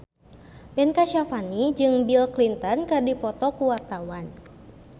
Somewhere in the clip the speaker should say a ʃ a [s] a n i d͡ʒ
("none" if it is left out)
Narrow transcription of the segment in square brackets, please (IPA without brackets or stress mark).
f